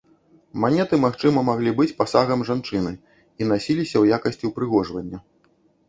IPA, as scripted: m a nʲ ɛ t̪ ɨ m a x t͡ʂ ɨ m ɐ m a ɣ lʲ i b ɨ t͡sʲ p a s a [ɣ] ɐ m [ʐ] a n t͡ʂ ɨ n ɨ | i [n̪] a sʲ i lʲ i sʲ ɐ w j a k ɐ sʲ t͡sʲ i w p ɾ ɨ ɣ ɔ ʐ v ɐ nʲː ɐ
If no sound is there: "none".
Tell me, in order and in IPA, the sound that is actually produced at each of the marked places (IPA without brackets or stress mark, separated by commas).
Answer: ɣ, ʐ, n̪